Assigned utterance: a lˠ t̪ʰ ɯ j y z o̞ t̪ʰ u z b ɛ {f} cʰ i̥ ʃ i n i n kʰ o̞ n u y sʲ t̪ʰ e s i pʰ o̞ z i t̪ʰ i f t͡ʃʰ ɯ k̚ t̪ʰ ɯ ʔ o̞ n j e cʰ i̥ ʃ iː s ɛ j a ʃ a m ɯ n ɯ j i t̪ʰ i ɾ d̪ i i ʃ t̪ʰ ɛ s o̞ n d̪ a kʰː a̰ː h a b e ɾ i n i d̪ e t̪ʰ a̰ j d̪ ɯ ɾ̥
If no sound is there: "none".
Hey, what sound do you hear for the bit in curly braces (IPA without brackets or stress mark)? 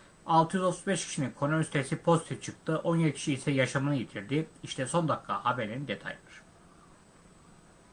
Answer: ʃ